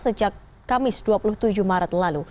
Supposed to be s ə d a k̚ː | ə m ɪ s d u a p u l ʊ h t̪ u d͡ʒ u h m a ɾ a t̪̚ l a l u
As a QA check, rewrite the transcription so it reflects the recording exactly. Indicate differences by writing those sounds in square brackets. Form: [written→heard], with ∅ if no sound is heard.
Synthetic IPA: s ə [d→d͡ʒ] a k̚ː | [ə→a] m ɪ s d u a p u l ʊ h t̪ u d͡ʒ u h m a ɾ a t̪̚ l a l u

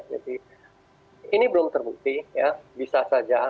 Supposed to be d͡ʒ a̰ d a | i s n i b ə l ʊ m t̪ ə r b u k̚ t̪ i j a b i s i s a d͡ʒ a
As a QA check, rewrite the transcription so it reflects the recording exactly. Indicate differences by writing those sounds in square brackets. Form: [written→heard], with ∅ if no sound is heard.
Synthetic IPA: d͡ʒ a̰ d [a→i] | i [s→∅] n i b ə l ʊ m t̪ ə r b u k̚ t̪ i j a b i s [i→a] s a d͡ʒ a

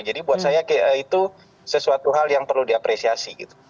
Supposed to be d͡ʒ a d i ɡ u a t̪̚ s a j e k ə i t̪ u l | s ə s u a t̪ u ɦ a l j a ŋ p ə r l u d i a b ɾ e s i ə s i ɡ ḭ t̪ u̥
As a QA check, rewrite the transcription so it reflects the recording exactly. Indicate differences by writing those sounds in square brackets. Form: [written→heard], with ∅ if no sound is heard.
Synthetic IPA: d͡ʒ a d i [ɡ→b] u a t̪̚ s a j [e→a] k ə i t̪ u [l→∅] | s ə s u a t̪ u ɦ a l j a ŋ p ə r l u d i a [b→p] ɾ e s i [ə→a] s i ɡ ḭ t̪ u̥

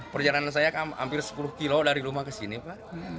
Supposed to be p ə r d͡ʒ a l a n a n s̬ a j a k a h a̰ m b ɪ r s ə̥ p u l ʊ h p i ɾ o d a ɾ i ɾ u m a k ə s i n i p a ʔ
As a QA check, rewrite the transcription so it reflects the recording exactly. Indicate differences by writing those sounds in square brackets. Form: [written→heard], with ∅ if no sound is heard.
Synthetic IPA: p ə r d͡ʒ a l a n a n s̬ a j a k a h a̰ m [b→p] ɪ r s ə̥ p u l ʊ h [p→k] i [ɾ→l] o d a ɾ i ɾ u m a k ə s i n i p a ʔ

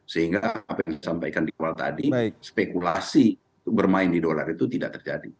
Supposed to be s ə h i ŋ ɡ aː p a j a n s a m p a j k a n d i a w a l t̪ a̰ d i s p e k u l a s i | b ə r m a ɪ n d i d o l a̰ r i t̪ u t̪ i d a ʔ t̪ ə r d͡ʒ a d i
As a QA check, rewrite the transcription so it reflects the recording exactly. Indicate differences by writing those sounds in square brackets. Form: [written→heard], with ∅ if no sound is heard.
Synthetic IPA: s ə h i ŋ ɡ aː p a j a [n→ŋ] s a m p a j k a n d i a w a l t̪ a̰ d i s p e k u l a s i | b ə r m a ɪ n d i d o l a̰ r i t̪ u t̪ i d a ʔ t̪ ə r d͡ʒ a d i

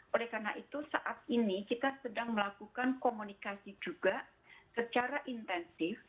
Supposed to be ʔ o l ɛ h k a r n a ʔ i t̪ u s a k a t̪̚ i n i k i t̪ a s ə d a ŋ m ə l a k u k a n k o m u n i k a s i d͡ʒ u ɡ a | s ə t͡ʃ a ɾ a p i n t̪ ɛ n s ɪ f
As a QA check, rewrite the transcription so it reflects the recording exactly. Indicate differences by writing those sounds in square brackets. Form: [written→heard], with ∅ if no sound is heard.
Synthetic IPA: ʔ o l ɛ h k a r n a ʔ i t̪ u s a [k→ʔ] a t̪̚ i n i k i t̪ a s ə d a ŋ m ə l a k u k a n k o m u n i k a s i d͡ʒ u ɡ a | s ə t͡ʃ a ɾ a [p→ʔ] i n t̪ ɛ n s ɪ f

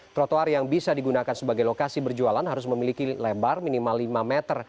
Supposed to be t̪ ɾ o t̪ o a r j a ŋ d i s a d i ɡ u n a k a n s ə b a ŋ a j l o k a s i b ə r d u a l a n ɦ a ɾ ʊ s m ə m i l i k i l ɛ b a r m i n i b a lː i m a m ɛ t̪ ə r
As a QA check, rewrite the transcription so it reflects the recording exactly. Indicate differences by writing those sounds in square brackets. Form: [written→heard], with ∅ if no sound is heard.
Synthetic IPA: t̪ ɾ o t̪ o a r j a ŋ [d→b] i s a d i ɡ u n a k a n s ə b a [ŋ→ɡ] a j l o k a s i b ə r [d→d͡ʒ] u a l a n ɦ a ɾ ʊ s m ə m i l i k i l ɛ b a r m i n i [b→m] a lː i m a m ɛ t̪ ə r

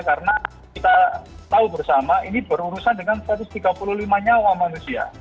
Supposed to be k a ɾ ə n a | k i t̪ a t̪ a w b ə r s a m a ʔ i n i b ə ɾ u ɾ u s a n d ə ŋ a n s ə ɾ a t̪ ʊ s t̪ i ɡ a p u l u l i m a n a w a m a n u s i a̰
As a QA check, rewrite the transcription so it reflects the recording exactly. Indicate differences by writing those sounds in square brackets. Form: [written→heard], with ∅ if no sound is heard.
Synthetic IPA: k a ɾ ə n a | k i t̪ a t̪ a [w→u] b ə r s a m a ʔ i n i b ə ɾ u ɾ u s a n d ə ŋ a n s ə ɾ a t̪ ʊ s t̪ i ɡ a p u l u l i m a [n→ɲ] a w a m a n u s i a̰

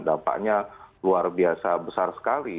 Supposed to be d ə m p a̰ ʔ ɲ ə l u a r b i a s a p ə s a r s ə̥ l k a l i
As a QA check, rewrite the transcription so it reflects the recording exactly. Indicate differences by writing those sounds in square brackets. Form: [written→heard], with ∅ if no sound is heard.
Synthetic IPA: d [ə→a] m p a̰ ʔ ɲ [ə→a] l u a r b i a s a [p→b] ə s a r s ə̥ [l→∅] k a l i

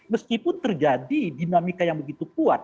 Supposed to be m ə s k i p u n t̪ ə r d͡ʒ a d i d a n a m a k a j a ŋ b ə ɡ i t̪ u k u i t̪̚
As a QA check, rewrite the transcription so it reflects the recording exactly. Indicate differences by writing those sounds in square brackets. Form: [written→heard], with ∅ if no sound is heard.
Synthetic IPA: m ə s k i p [u→ʊ] n t̪ ə r d͡ʒ a d i d [a→i] n a m [a→i] k a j a ŋ b ə ɡ i t̪ u k u [i→a] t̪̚

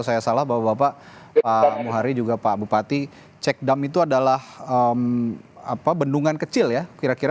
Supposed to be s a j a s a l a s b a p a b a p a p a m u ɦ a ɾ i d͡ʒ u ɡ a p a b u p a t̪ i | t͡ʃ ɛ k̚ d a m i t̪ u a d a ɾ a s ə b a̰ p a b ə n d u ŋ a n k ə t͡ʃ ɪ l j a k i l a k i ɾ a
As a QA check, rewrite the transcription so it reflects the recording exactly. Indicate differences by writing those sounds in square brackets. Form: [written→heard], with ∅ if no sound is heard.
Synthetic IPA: s a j a s a l a [s→h] b a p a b a p a p a m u ɦ a ɾ i d͡ʒ u ɡ a p a b u p a t̪ i | t͡ʃ ɛ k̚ d a m i t̪ u a d a [ɾ→l] a [s→h] ə [b→m] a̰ p a b ə n d u ŋ a n k ə t͡ʃ ɪ l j a k i [l→ɾ] a k i ɾ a

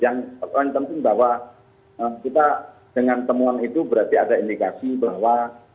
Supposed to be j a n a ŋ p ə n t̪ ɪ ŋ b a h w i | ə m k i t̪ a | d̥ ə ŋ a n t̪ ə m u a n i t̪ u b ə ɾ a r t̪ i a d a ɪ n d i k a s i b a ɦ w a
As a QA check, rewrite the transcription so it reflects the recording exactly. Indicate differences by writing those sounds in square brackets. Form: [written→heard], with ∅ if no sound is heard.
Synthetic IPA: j a [n→ŋ] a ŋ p ə n t̪ ɪ ŋ b a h w [i→a] | ə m k i t̪ a | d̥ ə ŋ a n t̪ ə m u a n i t̪ u b ə ɾ a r t̪ i a d a [ɪ→i] n d i k a s i b a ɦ w a

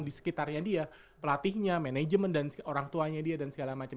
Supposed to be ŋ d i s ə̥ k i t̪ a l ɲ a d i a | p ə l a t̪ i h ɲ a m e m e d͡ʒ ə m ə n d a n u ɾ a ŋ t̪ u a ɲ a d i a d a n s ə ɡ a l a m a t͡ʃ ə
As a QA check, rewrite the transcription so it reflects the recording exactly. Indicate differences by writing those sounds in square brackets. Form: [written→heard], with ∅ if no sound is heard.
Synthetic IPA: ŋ d i s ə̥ k i t̪ a [l→r] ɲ a d i a | p ə l a t̪ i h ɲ a m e [m→n] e d͡ʒ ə m ə n d a n [u→o] ɾ a ŋ t̪ u a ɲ a d i a d a n s ə ɡ a l a m a t͡ʃ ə

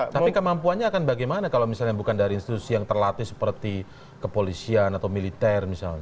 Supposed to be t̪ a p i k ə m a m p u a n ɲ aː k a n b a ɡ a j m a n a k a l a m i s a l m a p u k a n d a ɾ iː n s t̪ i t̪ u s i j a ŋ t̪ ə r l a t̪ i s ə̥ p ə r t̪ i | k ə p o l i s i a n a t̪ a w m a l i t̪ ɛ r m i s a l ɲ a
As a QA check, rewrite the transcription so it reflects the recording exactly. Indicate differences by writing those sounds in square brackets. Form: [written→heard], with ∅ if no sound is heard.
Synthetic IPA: t̪ a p i k ə m a m p u a n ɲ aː k a n b a ɡ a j m a n a k a l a m i s a l [m→ɲ] a [p→b] u k a n d a ɾ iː n s t̪ i t̪ u s i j a ŋ t̪ ə r l a t̪ i s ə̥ p ə r t̪ i | k ə p o l i s i a n a t̪ a w m [a→i] l i t̪ ɛ r m i s a l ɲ a

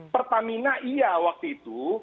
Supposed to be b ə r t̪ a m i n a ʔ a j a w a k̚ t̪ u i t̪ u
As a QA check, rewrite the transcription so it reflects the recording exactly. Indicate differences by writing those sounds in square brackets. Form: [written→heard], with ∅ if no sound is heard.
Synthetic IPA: [b→p] ə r t̪ a m i n a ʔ [a→i] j a w a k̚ t̪ u i t̪ u

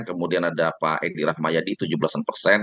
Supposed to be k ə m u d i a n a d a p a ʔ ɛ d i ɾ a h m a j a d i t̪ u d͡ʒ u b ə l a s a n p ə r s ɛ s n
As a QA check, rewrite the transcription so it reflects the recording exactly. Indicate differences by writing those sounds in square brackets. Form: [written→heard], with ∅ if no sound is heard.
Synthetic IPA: k ə m u d i a n a d a p a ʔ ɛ d i ɾ a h m a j a d i t̪ u d͡ʒ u b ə l a s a n p ə r s ɛ [s→∅] n

